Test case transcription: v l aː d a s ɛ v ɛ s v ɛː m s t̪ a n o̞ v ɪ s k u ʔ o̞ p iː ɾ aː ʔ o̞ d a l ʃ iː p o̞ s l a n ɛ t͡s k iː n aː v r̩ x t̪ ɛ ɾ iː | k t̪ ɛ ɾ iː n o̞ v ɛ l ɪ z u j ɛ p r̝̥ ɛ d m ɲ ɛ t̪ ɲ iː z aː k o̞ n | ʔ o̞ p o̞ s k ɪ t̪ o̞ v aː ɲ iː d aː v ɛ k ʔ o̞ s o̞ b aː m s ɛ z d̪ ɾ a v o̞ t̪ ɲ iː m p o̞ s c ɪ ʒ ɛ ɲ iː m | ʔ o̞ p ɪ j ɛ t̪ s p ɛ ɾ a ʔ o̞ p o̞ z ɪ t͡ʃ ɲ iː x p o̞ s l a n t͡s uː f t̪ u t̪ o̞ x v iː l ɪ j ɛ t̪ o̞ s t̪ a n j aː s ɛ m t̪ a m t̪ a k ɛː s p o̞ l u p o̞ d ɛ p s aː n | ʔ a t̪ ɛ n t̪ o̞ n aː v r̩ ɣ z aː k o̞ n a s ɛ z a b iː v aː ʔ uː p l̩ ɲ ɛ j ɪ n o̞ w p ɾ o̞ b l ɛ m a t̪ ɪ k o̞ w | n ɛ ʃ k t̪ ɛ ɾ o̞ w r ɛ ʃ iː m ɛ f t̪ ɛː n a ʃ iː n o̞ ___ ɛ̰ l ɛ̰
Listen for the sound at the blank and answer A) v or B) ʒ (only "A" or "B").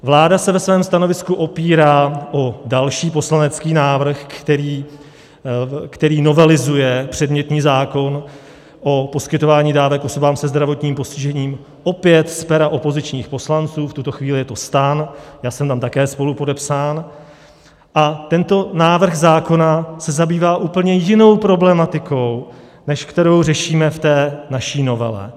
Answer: A